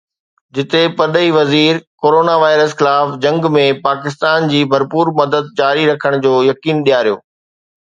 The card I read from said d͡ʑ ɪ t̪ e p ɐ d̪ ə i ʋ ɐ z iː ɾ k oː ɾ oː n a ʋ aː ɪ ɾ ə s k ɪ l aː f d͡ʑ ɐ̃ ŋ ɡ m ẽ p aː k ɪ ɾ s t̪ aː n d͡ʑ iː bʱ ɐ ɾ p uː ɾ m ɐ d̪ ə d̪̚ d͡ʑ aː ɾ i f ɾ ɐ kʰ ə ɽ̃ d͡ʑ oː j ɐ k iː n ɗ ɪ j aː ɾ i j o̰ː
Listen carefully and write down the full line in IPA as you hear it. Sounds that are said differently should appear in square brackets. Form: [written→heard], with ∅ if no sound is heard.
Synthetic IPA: d͡ʑ ɪ t̪ e p ɐ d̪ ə i ʋ ɐ z iː ɾ k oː ɾ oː n a ʋ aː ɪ ɾ ə s [k→x] ɪ l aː f d͡ʑ ɐ̃ ŋ ɡ m ẽ p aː k ɪ [ɾ→∅] s t̪ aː n d͡ʑ iː bʱ ɐ ɾ p uː ɾ m ɐ d̪ ə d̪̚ d͡ʑ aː ɾ i [f→∅] ɾ ɐ kʰ ə ɽ̃ d͡ʑ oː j ɐ k iː n ɗ [ɪ→i] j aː ɾ i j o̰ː